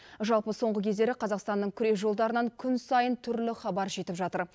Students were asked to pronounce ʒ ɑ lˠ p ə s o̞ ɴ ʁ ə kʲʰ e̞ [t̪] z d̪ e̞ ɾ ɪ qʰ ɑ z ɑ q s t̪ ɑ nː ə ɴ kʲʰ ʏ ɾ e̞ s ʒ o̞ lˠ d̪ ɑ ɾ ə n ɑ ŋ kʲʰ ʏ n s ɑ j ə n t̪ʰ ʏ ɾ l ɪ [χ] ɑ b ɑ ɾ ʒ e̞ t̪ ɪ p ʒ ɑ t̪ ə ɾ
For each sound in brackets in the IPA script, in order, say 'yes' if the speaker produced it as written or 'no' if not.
no, yes

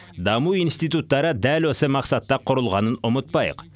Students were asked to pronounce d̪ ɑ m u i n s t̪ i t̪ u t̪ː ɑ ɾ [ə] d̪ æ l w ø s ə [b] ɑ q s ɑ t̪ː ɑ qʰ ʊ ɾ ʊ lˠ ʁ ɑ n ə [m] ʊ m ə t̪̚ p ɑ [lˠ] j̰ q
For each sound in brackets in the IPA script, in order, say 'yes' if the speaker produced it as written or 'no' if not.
yes, no, no, no

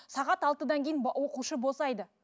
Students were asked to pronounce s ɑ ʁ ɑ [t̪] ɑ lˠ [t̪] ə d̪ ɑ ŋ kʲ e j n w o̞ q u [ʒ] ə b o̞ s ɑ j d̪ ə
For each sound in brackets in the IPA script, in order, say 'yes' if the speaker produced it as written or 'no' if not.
yes, yes, no

